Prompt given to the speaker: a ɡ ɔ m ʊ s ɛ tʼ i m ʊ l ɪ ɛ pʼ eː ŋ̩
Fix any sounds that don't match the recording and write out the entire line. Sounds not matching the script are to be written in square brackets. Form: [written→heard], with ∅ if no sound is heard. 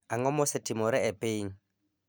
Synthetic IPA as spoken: a [ɡ→ŋ] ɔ m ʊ s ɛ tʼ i m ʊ [l→ɾ] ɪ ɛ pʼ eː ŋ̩